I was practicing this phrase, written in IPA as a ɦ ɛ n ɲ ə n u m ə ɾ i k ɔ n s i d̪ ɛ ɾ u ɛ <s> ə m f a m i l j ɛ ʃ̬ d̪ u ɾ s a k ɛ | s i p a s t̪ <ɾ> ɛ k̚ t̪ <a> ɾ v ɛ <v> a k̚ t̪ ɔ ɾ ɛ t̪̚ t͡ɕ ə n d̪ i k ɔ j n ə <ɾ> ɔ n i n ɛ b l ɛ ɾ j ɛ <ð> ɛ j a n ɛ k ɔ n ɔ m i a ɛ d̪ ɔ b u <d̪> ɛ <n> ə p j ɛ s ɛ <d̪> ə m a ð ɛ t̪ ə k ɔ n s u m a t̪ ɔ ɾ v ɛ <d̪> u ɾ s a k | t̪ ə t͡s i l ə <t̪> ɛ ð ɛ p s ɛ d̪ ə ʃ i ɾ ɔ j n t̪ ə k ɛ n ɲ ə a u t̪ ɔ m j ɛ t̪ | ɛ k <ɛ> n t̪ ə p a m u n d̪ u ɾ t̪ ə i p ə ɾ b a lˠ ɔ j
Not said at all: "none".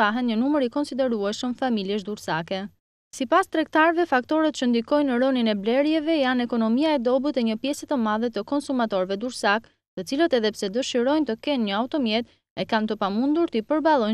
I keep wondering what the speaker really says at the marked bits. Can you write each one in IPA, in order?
ʃ, ɾ, a, f, ɾ, v, t̪, ɲ, t̪, d̪, t̪, a

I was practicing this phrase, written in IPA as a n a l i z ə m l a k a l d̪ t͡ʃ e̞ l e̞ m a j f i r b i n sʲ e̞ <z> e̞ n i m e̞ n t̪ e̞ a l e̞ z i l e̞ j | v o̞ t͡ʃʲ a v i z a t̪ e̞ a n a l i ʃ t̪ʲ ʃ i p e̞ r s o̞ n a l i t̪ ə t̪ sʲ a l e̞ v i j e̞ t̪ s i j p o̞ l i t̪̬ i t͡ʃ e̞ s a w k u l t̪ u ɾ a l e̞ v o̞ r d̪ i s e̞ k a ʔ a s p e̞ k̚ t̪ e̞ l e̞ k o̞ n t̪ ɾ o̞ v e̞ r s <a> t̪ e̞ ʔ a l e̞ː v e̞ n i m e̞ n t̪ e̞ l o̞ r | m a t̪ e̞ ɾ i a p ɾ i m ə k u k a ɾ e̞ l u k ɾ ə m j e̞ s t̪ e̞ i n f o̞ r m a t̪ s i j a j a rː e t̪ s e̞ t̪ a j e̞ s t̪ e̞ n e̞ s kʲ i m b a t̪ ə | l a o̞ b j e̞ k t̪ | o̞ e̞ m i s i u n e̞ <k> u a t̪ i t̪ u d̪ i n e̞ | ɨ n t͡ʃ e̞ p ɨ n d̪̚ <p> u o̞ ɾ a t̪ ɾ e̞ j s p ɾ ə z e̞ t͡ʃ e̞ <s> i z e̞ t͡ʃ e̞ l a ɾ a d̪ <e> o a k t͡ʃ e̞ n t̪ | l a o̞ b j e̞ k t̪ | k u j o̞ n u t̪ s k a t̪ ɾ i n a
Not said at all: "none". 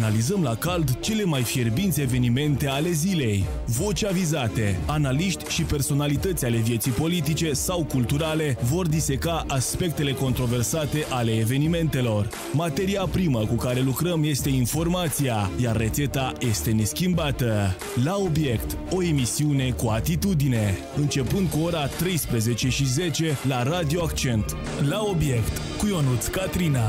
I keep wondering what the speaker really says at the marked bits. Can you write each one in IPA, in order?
v, a, k, k, ʃ, i

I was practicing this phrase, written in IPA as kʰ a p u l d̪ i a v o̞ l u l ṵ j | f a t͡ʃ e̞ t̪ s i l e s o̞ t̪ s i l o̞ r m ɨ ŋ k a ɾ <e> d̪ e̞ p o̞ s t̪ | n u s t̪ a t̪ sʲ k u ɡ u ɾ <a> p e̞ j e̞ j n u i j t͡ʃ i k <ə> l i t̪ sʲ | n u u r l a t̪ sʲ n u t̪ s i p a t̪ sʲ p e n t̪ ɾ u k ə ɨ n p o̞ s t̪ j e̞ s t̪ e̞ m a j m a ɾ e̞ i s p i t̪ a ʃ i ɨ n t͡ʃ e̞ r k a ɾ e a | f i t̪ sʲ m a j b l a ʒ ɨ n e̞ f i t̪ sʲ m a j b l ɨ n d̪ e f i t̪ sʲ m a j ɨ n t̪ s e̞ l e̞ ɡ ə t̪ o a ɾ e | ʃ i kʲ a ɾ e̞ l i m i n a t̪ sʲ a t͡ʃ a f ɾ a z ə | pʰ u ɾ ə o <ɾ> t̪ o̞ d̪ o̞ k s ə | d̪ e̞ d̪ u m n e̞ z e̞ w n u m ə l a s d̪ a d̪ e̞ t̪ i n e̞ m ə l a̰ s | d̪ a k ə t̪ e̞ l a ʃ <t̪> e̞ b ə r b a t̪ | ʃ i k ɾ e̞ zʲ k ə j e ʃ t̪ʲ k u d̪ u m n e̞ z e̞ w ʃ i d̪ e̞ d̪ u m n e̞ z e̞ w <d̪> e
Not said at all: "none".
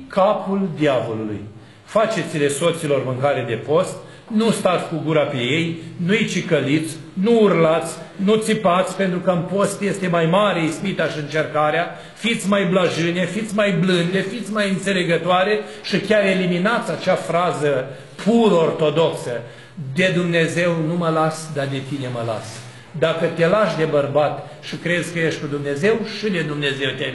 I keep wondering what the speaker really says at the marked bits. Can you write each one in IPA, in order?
e, a, ə, r, d̪, t̪

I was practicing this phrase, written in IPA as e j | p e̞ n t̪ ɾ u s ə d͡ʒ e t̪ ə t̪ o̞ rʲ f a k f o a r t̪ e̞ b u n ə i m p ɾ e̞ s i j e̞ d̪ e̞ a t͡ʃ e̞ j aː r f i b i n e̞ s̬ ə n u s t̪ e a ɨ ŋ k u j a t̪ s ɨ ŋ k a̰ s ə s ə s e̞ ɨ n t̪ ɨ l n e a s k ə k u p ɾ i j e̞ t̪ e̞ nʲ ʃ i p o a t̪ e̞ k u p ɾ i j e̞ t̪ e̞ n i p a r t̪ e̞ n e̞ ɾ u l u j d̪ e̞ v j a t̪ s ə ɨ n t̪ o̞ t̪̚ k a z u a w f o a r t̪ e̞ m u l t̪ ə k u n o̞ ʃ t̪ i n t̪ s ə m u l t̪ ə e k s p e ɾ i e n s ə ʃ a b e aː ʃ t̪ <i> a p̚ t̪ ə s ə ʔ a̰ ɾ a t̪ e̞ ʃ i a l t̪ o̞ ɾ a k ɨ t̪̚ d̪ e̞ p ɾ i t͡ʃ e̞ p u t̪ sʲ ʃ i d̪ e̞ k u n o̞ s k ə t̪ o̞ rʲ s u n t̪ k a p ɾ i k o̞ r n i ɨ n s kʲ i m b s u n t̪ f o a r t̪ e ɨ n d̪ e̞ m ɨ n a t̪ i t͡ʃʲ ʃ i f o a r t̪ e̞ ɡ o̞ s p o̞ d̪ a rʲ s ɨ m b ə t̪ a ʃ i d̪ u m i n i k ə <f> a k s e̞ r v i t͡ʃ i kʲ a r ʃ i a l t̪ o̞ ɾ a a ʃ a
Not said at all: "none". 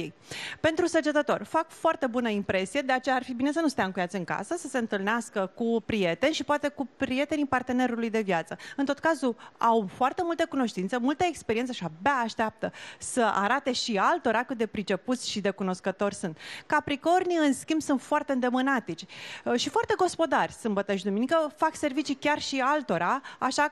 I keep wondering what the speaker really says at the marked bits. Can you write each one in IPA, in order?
e, f

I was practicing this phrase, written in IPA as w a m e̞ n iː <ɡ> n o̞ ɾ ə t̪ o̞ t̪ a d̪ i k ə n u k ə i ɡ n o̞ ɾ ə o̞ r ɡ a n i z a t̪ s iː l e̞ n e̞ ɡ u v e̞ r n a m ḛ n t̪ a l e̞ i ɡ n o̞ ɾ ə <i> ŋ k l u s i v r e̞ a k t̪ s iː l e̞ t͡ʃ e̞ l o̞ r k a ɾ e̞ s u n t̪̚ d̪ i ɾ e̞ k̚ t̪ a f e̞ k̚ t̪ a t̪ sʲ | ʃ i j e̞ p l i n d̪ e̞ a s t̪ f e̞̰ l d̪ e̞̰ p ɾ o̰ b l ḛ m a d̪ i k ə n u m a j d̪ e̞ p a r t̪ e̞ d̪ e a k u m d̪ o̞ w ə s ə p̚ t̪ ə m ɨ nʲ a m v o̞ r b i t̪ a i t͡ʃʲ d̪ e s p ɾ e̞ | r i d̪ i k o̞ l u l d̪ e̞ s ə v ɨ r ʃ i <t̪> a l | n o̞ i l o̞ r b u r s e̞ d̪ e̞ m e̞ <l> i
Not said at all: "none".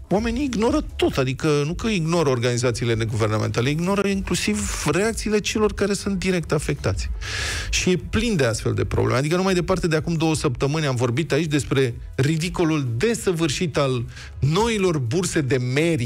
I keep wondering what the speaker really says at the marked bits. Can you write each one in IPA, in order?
ɡ, i, t̪, ɾ

